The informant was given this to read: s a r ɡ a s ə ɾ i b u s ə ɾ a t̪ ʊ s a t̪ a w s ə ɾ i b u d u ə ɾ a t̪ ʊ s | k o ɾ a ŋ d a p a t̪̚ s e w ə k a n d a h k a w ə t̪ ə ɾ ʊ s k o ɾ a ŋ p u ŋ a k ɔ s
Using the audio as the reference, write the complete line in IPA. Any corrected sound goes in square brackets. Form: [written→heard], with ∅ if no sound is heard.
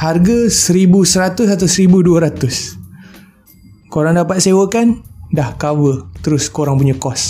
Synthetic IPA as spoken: [s→h] a r ɡ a s ə ɾ i b u s ə ɾ a t̪ ʊ s a t̪ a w s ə ɾ i b u d u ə ɾ a t̪ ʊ s | k o ɾ a ŋ d a p a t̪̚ s e w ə k a n d a h k a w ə t̪ ə ɾ ʊ s k o ɾ a ŋ p u [ŋ→ɲ] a k ɔ s